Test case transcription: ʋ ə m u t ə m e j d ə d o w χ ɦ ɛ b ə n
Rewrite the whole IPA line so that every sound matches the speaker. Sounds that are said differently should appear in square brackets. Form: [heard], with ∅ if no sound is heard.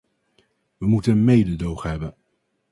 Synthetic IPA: ʋ ə m u t ə m e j d ə d o w χ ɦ ɛ b ə n